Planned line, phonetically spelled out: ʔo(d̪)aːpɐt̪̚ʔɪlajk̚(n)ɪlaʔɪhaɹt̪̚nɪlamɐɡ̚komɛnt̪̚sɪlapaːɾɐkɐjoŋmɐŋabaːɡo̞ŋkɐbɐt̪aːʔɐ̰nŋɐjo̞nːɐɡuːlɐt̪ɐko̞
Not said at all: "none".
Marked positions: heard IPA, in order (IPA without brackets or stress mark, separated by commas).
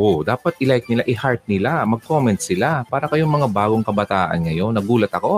d̪, n